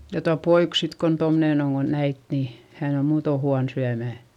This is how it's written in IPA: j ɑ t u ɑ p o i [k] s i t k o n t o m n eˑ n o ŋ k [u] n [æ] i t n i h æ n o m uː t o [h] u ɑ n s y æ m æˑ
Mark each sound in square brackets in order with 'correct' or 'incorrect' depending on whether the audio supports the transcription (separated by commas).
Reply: correct, incorrect, correct, correct